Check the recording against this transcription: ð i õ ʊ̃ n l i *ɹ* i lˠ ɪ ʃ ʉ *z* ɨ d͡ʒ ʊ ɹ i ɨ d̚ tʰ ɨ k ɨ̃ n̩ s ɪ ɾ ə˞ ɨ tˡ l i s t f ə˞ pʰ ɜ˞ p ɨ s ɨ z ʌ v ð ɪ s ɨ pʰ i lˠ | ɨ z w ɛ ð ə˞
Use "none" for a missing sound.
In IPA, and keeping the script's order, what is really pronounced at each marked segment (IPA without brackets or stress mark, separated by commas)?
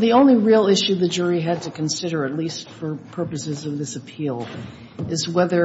ɹ, ð